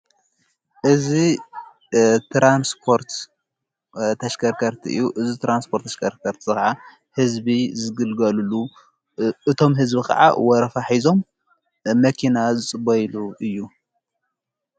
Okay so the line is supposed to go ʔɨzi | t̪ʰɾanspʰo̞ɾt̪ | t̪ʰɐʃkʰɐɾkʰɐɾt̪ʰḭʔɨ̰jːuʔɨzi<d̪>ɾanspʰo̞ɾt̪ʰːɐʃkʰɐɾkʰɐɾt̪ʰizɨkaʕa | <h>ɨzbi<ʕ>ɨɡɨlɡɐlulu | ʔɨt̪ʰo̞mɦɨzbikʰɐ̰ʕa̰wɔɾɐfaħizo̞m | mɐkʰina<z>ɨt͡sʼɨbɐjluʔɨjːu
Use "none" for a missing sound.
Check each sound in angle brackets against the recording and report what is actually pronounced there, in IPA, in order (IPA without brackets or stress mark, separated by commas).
t̪, h, z, z